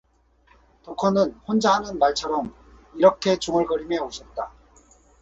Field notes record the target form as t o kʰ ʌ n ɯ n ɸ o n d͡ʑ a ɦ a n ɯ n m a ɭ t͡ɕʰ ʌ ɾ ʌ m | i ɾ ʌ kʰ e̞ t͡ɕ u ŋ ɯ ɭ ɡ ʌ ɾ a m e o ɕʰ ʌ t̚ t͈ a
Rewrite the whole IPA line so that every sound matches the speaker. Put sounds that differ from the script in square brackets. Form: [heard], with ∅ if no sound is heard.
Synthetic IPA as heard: t o kʰ ʌ n ɯ n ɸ o n d͡ʑ a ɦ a n ɯ n m a ɭ t͡ɕʰ ʌ ɾ ʌ m | i ɾ ʌ kʰ e̞ t͡ɕ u ŋ ɯ ɭ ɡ ʌ ɾ [i] m e o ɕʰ ʌ t̚ t͈ a

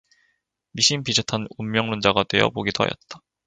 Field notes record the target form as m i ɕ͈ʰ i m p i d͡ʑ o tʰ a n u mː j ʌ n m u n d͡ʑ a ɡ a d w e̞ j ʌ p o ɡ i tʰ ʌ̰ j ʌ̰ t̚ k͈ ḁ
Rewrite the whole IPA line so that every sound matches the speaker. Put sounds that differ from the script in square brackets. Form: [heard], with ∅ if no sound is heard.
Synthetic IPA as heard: m i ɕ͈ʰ i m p i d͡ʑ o tʰ a n u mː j ʌ [ŋ] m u n d͡ʑ a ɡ a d w e̞ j ʌ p o ɡ i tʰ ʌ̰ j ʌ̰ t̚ [t͈] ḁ

